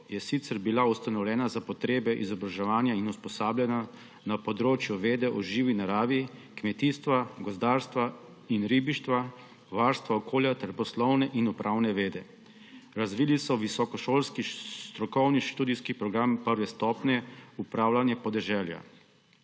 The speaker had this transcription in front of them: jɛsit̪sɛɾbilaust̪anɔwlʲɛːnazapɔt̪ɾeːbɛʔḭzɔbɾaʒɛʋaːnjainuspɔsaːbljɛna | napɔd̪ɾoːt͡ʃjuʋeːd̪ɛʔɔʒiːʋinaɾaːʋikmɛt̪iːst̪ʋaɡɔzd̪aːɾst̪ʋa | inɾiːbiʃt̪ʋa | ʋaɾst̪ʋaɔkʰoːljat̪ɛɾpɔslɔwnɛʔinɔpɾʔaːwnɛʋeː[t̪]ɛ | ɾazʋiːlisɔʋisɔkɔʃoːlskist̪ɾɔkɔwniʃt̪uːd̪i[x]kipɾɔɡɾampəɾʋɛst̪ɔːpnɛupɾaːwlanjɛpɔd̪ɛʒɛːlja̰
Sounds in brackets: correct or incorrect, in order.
incorrect: d̪, incorrect: s

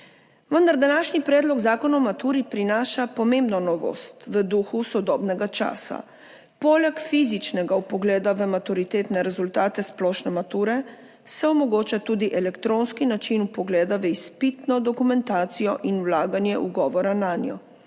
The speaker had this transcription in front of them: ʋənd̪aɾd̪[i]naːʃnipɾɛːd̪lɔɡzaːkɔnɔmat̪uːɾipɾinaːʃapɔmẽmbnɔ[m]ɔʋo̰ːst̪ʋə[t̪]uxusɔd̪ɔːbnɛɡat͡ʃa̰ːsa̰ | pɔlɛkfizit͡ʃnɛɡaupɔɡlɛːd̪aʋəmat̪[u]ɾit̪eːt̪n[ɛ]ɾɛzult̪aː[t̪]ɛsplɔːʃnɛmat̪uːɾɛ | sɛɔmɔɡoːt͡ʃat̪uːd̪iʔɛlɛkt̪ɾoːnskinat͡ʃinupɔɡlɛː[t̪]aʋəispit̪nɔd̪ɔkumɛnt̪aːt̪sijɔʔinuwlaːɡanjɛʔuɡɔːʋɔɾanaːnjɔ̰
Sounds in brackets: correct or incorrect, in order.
incorrect: a, incorrect: n, incorrect: d̪, correct, correct, correct, incorrect: d̪

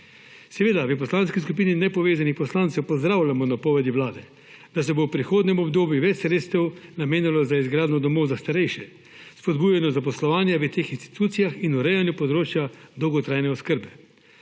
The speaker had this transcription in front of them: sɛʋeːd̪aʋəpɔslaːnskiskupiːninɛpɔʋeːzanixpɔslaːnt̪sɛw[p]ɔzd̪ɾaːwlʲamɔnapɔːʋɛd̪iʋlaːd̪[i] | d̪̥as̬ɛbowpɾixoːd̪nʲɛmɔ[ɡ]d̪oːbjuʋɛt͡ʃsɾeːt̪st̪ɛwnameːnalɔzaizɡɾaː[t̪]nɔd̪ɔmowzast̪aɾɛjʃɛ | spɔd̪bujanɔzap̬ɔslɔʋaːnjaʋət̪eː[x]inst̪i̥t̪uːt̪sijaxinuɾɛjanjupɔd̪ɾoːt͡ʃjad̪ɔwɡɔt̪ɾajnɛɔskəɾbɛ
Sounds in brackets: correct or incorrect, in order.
correct, incorrect: ɛ, incorrect: b, incorrect: d̪, correct

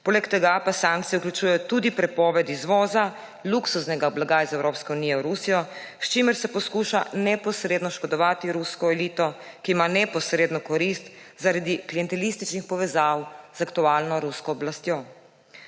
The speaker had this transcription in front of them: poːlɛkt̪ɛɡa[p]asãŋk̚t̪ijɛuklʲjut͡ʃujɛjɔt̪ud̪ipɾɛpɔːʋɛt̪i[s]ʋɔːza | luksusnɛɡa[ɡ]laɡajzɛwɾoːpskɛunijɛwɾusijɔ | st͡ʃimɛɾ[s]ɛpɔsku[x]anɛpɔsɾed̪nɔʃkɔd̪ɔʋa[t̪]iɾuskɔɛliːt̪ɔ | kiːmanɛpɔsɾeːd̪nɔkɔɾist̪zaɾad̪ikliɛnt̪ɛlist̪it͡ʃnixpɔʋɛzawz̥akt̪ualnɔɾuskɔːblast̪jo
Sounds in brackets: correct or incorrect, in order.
correct, incorrect: z, incorrect: b, correct, incorrect: ʃ, correct

